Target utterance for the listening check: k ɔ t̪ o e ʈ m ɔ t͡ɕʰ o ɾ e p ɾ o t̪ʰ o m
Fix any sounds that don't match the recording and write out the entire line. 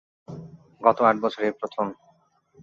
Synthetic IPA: ɡ ɔ t̪ o a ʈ b ɔ t͡ɕʰ o ɾ e p ɾ o t̪ʰ o m